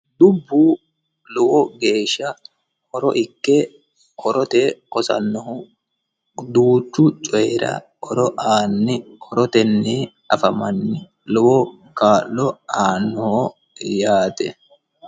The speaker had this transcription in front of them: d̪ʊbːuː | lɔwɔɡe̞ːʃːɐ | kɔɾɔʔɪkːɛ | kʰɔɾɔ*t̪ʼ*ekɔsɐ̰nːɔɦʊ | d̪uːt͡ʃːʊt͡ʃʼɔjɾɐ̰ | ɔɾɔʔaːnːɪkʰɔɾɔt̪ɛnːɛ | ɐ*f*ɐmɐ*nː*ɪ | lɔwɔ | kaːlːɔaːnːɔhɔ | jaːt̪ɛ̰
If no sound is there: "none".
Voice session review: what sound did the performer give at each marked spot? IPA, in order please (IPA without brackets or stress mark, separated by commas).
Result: t̪, f, nː